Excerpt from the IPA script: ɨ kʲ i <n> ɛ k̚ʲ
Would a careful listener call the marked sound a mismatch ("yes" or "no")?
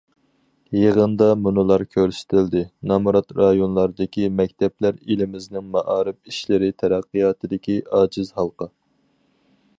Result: yes